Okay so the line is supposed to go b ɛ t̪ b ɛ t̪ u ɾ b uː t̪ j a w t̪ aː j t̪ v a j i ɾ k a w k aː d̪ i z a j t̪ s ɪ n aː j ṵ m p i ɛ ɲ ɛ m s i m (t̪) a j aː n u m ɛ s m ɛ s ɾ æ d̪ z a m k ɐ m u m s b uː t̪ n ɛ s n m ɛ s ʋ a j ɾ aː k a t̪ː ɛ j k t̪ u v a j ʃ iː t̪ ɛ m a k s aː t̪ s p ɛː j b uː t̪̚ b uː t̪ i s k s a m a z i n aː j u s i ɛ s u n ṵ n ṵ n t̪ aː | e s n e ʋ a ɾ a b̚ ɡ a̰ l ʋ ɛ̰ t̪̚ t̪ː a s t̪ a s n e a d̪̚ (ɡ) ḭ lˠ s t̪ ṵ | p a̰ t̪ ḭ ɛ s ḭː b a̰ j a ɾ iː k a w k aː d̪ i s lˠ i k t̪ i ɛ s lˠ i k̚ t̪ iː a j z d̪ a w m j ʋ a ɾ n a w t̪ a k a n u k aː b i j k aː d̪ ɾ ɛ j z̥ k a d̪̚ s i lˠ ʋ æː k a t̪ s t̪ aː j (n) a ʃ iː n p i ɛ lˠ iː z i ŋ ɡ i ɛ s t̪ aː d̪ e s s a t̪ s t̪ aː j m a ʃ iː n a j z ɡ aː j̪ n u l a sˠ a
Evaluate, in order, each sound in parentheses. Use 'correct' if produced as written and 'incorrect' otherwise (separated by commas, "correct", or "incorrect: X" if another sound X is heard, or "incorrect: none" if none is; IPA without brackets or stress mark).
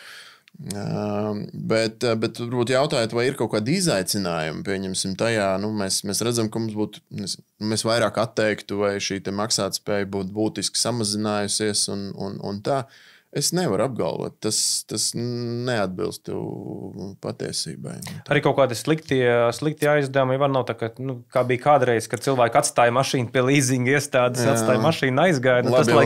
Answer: correct, incorrect: b, incorrect: m